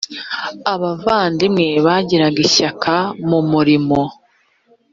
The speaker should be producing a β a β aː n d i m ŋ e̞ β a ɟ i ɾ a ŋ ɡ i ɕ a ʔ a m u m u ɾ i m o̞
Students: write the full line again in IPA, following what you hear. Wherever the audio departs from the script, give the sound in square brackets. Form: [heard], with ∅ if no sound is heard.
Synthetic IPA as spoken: a β a [v] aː n d i m ŋ e̞ β a ɟ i ɾ a [∅] ɡ i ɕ a [k] a m u m u ɾ i m o̞